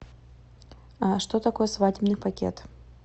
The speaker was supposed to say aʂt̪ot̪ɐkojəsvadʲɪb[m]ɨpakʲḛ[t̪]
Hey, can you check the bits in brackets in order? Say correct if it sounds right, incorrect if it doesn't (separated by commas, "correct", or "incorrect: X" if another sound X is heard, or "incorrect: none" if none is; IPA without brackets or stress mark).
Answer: incorrect: n, correct